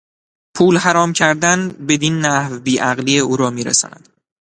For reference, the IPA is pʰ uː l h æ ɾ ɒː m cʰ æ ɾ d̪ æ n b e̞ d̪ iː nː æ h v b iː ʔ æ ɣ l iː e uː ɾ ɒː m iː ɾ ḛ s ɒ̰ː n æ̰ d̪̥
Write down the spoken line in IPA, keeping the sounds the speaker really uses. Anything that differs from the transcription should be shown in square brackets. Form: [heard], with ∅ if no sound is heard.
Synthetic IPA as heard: pʰ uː l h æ ɾ ɒː m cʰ æ ɾ d̪ æ n b e̞ d̪ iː nː æ h v b iː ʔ æ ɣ l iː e uː ɾ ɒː m iː ɾ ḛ s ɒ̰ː n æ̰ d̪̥